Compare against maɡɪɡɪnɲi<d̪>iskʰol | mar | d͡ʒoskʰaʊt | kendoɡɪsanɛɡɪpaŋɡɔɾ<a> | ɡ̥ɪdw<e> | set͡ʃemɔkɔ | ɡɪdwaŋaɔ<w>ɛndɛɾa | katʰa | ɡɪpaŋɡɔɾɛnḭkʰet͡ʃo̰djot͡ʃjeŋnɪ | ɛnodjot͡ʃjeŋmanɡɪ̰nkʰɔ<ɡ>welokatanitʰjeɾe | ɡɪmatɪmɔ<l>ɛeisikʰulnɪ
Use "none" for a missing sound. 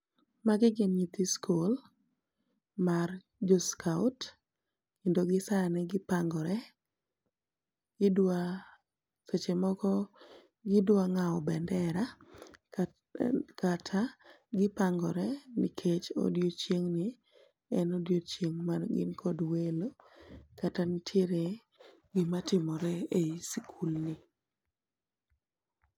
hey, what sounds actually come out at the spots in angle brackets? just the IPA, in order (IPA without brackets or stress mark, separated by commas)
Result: t̪, ɛ, a, b, d, ɾ